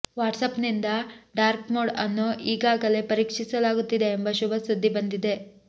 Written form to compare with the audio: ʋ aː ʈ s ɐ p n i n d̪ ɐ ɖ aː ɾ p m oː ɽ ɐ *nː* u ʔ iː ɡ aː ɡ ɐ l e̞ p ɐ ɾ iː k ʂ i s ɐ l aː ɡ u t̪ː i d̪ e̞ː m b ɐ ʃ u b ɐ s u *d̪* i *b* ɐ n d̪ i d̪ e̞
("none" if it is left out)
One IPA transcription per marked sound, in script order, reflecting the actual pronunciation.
nː, d̪ː, b

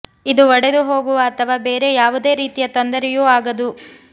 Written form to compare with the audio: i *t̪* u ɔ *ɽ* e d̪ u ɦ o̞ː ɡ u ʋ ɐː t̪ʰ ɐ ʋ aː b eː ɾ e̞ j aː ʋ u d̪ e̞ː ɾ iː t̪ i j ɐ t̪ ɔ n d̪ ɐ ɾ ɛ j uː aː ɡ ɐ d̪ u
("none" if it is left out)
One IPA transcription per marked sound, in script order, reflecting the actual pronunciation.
d̪, ɽ

